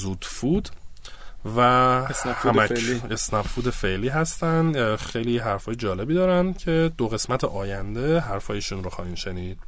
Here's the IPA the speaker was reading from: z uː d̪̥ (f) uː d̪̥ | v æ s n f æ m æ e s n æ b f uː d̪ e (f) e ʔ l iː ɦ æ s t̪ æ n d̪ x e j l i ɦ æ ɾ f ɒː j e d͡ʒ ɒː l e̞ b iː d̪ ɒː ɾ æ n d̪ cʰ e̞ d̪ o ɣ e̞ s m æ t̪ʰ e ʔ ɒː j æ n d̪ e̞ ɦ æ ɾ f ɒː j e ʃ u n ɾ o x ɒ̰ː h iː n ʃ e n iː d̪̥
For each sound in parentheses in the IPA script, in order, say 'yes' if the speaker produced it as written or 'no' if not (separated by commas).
yes, yes